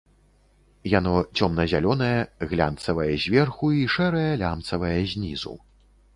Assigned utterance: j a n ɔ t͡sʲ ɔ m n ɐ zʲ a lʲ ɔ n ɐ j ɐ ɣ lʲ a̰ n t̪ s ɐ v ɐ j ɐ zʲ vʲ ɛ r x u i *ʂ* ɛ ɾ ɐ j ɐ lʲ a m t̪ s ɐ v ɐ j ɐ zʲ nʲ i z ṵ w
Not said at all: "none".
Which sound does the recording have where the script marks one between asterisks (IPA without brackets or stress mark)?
ʂ